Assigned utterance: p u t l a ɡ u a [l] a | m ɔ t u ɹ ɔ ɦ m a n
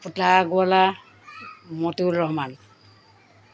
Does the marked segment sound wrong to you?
no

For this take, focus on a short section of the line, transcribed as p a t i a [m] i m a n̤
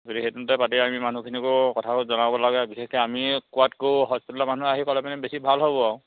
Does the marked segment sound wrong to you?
no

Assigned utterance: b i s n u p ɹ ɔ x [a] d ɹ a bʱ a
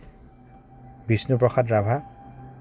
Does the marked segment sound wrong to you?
no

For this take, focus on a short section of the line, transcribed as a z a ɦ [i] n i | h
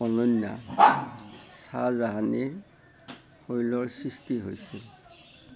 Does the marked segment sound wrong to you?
yes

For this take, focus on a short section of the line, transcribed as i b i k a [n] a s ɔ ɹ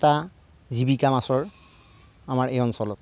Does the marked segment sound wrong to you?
yes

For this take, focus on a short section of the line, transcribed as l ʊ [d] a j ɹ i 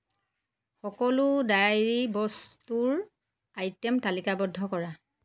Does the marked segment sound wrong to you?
no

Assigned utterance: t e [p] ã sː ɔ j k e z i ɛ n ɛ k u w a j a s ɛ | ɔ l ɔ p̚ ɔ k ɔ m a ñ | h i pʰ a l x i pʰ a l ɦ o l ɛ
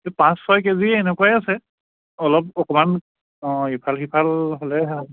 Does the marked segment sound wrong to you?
no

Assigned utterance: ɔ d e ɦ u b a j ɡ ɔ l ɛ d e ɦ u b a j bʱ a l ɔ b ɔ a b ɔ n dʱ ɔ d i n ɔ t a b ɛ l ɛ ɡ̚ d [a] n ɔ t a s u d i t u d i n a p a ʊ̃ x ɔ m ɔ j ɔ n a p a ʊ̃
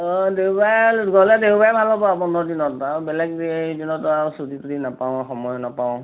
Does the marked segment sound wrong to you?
yes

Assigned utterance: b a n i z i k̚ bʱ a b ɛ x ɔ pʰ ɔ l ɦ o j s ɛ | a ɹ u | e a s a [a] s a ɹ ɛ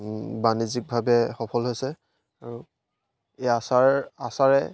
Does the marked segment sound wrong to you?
no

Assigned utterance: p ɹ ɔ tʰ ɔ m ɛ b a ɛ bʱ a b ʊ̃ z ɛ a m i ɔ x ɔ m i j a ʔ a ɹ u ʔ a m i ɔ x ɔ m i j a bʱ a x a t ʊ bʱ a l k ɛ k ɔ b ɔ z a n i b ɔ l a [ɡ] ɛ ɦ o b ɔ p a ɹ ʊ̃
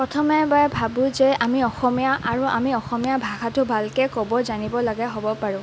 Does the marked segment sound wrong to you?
no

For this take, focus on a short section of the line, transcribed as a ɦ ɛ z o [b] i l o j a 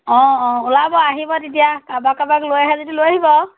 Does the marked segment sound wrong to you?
yes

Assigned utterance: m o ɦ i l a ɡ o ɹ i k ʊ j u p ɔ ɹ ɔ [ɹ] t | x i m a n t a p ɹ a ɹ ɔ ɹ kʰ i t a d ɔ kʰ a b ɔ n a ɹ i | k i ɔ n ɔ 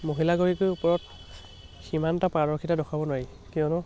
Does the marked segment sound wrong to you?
yes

